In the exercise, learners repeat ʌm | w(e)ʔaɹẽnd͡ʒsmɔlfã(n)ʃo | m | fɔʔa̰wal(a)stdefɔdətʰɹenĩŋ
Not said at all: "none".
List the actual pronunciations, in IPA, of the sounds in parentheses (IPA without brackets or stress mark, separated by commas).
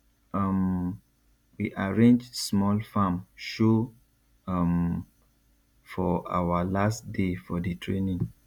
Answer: i, m, a